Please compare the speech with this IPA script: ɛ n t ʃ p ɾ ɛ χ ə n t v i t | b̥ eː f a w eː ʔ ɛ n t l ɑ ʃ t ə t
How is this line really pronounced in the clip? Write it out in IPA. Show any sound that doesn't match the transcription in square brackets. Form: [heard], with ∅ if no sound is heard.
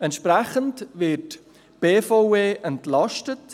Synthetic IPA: ɛ n t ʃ p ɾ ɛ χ ə n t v [ɪ] t | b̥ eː f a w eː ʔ ɛ n t l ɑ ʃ t ə t